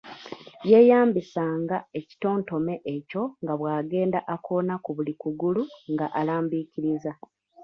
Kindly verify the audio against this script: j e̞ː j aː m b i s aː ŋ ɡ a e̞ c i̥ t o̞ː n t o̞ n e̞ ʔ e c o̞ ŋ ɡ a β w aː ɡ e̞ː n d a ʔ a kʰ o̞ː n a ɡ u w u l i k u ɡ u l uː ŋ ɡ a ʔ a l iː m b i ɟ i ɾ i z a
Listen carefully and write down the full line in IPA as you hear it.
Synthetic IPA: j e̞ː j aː m b i s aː ŋ ɡ a e̞ c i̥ t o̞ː n t o̞ m e̞ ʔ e c o̞ ŋ ɡ a β w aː ɡ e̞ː n d a ʔ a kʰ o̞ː n a k u β u l i k u ɡ u l u ŋ ɡ a ʔ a l aː m b i c i ɾ i z a